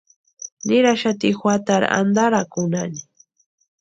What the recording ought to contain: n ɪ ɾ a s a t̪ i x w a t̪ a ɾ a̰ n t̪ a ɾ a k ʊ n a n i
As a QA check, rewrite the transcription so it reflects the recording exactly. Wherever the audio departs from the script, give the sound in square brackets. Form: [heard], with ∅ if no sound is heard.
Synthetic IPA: n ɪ ɾ a [ʃ] a t̪ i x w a t̪ a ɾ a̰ n [d̪] a ɾ a k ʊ n a n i